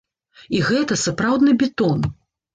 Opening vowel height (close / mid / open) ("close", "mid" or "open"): close